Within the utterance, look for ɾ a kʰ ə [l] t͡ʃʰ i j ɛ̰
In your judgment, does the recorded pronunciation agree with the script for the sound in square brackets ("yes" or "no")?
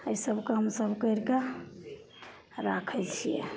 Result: yes